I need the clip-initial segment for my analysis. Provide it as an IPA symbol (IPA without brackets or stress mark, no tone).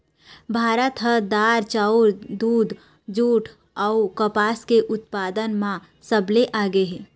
bʱ